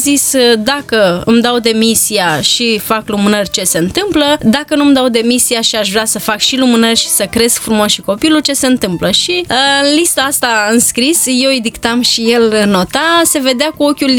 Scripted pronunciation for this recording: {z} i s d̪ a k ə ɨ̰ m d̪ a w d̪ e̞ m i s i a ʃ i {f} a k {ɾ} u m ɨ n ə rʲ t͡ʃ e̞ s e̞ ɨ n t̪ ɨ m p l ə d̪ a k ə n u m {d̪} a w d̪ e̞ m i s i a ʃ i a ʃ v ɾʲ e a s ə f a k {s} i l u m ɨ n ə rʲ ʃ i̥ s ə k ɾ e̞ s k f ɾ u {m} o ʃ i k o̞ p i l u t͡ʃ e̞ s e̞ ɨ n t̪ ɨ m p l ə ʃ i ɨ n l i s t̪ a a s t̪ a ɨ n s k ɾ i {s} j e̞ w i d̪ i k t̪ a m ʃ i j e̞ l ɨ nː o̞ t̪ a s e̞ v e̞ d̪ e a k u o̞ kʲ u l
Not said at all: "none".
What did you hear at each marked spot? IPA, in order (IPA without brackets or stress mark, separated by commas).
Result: z, f, l, d̪, ʃ, m, s